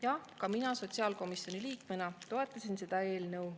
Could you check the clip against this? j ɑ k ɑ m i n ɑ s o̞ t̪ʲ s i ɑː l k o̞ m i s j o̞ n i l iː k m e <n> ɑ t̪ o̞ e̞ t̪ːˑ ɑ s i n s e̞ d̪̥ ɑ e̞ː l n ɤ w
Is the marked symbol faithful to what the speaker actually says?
yes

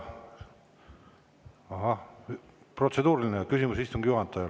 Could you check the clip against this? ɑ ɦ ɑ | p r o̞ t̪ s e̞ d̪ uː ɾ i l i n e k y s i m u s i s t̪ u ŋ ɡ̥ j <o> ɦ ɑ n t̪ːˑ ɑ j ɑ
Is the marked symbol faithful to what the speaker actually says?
no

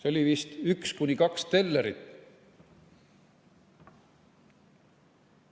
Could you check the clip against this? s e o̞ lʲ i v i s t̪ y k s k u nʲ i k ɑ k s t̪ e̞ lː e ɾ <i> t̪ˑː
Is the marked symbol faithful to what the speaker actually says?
yes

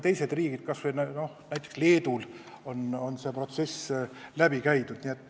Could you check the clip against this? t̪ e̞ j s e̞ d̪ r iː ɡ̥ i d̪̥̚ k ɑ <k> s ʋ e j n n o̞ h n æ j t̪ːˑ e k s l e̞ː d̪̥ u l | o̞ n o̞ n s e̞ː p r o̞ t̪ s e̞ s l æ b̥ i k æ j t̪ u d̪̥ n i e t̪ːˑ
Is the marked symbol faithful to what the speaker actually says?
no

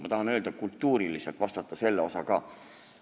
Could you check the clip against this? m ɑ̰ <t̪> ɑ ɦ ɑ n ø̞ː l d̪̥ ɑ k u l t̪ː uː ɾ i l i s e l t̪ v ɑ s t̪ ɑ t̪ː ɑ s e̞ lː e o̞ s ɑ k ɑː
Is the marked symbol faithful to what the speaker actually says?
yes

